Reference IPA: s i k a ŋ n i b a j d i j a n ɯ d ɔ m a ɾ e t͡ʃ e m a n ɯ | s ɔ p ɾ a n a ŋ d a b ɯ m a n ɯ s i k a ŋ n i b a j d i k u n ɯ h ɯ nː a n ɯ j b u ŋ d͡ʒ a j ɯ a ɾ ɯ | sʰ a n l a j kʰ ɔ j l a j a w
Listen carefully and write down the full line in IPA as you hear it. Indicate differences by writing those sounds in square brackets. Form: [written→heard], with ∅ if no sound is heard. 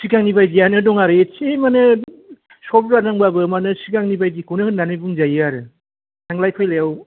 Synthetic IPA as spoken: s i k a ŋ n i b a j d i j a n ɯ d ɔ [m→ŋ] a ɾ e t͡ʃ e m a n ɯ | s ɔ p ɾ a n a ŋ [d→b] a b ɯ m a n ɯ s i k a ŋ n i b a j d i k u n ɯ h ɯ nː a n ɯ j b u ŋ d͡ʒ a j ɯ a ɾ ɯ | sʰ a [n→ŋ] l a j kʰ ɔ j l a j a w